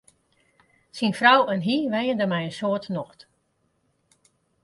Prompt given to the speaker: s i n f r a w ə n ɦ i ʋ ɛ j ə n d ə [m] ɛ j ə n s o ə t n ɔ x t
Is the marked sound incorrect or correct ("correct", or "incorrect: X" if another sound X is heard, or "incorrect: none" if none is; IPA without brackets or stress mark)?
correct